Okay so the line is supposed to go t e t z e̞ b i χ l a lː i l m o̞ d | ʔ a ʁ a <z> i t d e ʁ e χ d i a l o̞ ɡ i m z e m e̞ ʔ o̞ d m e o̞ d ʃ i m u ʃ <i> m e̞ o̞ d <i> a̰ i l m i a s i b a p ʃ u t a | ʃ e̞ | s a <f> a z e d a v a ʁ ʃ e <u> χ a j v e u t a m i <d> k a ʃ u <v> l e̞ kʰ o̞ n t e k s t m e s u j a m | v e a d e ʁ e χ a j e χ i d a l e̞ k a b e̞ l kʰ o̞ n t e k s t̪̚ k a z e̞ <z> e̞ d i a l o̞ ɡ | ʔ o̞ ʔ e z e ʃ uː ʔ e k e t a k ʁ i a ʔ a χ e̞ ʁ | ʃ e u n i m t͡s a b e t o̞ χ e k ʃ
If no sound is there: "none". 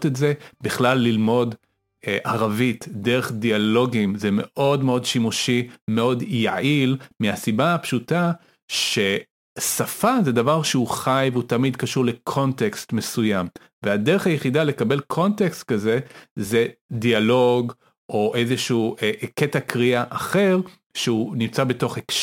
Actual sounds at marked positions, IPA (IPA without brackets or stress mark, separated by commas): v, i, j, f, u, d, ʁ, z